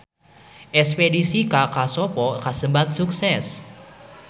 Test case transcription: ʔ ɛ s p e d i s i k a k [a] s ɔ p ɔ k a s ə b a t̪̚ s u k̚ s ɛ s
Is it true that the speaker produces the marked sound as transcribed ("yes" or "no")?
yes